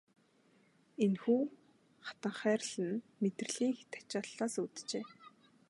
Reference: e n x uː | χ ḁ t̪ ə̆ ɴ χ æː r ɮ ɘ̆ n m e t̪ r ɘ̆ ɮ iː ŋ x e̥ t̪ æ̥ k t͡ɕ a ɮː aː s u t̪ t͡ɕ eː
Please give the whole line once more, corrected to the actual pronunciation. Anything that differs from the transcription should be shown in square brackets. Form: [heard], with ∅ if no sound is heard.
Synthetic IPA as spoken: e n x uː | χ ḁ t̪ ə̆ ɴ χ æː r ɮ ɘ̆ n m e t̪ r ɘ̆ ɮ iː ŋ x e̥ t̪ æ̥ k t͡ɕ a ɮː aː s u t̪ t͡ɕ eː